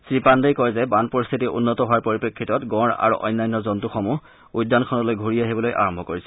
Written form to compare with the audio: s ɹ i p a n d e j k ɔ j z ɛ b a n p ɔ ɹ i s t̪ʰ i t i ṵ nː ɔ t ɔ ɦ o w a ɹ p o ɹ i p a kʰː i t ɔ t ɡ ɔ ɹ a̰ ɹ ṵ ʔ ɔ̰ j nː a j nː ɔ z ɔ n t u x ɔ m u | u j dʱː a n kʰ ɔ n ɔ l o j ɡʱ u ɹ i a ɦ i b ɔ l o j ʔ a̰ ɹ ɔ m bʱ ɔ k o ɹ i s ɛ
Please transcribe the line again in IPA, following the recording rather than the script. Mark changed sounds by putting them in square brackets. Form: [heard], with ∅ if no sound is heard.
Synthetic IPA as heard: s ɹ i p a n d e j k ɔ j z ɛ b a n p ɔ ɹ i s t̪ʰ i t i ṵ nː ɔ t ɔ ɦ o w a ɹ p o ɹ i p [e] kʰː i t ɔ t ɡ ɔ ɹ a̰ ɹ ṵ ʔ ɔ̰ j nː a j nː ɔ z ɔ n t u x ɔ m u | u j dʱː a n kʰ ɔ n ɔ l o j ɡʱ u ɹ i a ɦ i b ɔ l o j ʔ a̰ ɹ ɔ m bʱ ɔ k o ɹ i s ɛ